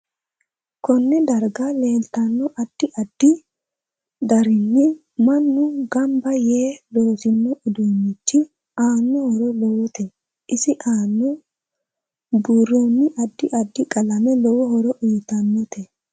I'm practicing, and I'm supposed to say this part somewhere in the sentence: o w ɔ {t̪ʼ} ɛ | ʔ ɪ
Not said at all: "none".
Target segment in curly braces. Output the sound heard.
t̪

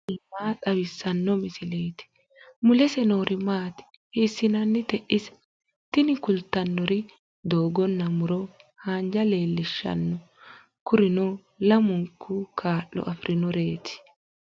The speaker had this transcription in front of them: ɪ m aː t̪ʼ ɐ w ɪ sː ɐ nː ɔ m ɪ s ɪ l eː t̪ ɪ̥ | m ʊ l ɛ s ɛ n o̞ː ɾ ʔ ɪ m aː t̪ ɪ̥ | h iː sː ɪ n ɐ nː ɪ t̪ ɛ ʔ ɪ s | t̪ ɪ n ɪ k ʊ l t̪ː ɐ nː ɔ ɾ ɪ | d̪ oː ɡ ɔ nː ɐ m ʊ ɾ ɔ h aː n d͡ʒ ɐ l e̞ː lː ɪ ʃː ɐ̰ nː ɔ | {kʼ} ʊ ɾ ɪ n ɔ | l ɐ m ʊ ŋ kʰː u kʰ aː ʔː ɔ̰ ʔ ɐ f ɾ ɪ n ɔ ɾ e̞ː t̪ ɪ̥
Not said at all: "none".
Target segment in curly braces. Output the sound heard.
k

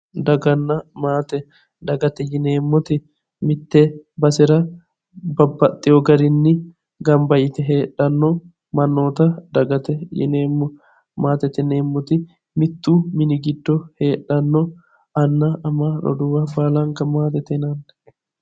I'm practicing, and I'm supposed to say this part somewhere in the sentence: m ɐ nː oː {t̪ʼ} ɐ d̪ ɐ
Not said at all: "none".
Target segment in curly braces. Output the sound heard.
t̪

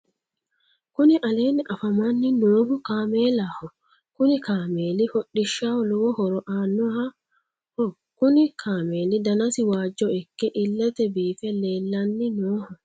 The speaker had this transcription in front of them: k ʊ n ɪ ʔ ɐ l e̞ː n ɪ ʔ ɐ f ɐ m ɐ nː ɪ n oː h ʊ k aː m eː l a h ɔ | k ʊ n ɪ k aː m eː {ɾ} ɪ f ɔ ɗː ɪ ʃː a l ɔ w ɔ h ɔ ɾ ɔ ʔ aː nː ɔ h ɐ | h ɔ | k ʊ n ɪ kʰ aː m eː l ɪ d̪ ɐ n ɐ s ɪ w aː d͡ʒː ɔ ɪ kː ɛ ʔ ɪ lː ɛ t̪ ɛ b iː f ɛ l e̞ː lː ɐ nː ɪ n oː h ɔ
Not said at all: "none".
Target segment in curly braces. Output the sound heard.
l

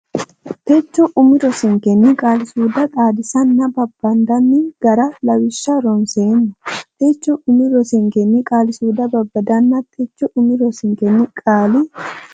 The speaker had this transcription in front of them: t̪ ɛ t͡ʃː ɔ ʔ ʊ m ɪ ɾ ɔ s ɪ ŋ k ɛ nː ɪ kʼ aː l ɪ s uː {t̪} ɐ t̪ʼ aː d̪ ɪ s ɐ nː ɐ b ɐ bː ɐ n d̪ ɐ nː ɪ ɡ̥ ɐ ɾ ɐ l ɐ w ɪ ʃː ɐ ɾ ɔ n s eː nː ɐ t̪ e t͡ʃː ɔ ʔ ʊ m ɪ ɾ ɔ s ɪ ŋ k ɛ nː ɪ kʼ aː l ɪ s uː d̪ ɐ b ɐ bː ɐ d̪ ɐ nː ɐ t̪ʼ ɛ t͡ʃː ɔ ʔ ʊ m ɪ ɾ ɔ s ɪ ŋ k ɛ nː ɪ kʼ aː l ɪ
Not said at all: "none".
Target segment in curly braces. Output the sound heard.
d̪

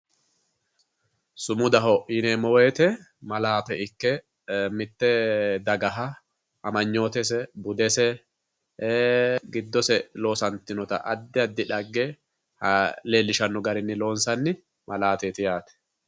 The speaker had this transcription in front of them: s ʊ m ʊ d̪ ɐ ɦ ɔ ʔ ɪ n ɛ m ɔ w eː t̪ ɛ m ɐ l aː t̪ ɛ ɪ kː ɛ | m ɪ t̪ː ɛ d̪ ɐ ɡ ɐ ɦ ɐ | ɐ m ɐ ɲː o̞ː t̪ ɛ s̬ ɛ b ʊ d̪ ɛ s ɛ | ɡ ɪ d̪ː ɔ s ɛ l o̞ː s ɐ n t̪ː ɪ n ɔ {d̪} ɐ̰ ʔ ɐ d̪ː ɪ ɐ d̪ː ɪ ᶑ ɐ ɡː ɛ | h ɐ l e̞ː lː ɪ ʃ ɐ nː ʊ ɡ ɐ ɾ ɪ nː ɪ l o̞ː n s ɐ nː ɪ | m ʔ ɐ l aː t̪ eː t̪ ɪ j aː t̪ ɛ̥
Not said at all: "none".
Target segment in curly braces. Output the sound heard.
t̪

